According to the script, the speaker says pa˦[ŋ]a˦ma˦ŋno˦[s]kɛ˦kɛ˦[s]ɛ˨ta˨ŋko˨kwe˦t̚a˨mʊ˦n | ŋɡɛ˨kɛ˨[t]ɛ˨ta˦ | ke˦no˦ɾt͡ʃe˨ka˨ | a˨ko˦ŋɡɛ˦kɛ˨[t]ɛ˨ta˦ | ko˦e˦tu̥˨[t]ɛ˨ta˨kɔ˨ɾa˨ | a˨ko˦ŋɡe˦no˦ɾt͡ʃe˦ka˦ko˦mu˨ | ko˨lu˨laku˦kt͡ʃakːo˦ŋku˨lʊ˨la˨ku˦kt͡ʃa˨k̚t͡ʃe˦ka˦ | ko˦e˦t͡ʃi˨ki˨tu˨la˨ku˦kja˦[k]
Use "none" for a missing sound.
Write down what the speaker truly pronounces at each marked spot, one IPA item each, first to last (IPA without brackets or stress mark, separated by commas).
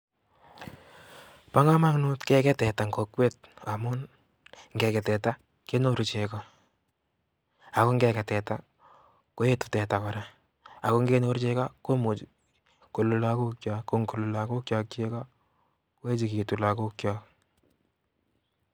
ŋ, t, t, t, t, t, k